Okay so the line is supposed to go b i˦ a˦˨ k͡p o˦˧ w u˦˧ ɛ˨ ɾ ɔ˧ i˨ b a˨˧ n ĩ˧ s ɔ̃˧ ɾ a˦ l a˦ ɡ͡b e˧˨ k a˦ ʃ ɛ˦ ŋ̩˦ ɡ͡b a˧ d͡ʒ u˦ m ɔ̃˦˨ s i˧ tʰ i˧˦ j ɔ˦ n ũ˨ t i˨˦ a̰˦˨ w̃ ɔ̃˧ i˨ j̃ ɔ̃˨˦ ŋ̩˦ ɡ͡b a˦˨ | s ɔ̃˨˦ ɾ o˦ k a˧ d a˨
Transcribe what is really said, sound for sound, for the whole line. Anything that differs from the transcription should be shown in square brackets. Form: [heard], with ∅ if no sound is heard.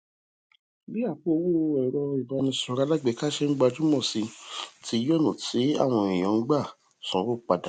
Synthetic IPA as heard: b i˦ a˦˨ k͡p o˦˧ w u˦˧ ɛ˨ ɾ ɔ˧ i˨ b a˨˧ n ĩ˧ s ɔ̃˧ ɾ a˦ l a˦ ɡ͡b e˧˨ k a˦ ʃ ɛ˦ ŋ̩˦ ɡ͡b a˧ d͡ʒ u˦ m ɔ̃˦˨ s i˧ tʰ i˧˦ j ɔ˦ n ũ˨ t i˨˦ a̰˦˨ w̃ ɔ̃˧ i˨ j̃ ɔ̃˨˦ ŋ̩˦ ɡ͡b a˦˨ | s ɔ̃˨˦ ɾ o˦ [k͡p] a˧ d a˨